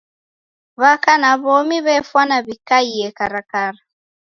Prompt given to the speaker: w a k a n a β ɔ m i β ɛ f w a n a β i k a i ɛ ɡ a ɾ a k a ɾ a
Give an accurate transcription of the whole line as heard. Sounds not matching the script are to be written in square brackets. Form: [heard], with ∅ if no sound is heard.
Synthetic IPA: [β] a k a n a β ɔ m i β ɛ f w a n a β i k a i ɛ [k] a ɾ a k a ɾ a